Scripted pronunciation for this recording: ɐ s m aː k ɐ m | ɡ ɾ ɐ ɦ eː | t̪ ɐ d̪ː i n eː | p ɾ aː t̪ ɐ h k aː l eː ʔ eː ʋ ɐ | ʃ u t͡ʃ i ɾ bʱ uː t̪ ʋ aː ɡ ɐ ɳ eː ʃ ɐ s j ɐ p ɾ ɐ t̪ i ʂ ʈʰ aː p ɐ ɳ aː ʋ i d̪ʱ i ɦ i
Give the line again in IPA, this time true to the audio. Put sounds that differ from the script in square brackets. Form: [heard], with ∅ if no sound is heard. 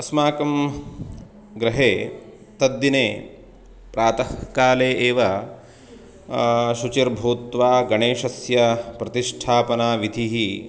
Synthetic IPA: ɐ s m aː k ɐ m | ɡ ɾ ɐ ɦ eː | t̪ ɐ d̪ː i n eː | p ɾ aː t̪ ɐ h k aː l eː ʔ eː ʋ ɐ | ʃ u t͡ʃ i ɾ bʱ uː t̪ ʋ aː ɡ ɐ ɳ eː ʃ ɐ s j ɐ p ɾ ɐ t̪ i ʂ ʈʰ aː p ɐ [n] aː ʋ i d̪ʱ i ɦ i

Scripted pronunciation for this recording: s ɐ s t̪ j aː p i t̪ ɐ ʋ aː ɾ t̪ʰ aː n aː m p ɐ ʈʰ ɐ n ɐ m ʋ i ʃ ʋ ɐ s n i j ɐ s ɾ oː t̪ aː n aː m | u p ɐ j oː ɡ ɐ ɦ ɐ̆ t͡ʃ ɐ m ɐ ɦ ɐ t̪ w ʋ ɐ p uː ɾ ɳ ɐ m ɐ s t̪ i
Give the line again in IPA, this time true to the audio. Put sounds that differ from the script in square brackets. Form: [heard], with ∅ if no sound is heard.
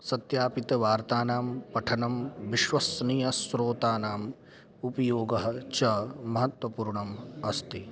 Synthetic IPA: s ɐ [∅] t̪ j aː p i t̪ ɐ ʋ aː ɾ [t̪] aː n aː m p ɐ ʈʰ ɐ n ɐ m ʋ i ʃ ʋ ɐ s n i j ɐ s ɾ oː t̪ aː n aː m | u p ɐ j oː ɡ ɐ ɦ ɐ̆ t͡ʃ ɐ m ɐ ɦ ɐ t̪ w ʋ ɐ p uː ɾ ɳ ɐ m ɐ s t̪ i

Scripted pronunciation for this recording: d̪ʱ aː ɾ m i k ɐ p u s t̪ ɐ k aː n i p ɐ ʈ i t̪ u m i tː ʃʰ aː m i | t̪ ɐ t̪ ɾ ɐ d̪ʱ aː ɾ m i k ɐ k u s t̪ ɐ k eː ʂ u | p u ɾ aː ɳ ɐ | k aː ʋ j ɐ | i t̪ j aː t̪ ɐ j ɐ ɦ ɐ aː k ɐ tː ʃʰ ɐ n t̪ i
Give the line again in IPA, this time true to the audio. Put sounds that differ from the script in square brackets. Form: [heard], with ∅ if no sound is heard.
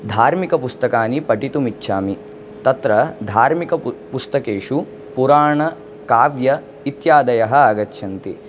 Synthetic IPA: d̪ʱ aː ɾ m i k ɐ p u s t̪ ɐ k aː n i p ɐ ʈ i t̪ u m i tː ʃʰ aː m i | t̪ ɐ t̪ ɾ ɐ d̪ʱ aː ɾ m i k ɐ [p] u s t̪ ɐ k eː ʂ u | p u ɾ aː ɳ ɐ | k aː ʋ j ɐ | i t̪ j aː [d̪] ɐ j ɐ ɦ ɐ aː [ɡ] ɐ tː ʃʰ ɐ n t̪ i

